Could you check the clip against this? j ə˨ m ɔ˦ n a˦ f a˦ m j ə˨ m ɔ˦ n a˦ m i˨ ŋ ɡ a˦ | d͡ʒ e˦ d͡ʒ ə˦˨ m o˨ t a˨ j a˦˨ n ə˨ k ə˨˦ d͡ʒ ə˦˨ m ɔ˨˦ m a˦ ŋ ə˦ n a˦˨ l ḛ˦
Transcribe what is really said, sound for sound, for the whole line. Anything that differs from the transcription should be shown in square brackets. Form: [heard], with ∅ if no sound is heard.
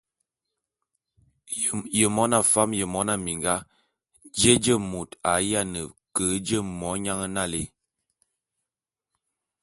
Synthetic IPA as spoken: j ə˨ m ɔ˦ n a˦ f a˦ m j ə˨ m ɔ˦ n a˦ m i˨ ŋ ɡ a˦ | d͡ʒ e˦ d͡ʒ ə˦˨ m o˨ t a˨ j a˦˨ n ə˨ k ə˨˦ d͡ʒ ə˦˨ m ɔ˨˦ [ɲ] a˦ ŋ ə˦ n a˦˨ l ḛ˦